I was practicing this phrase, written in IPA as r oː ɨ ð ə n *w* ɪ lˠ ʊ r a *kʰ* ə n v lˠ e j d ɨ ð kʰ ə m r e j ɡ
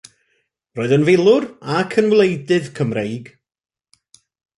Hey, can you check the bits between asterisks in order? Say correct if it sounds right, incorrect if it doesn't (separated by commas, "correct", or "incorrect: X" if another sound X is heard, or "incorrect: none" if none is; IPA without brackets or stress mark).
incorrect: v, correct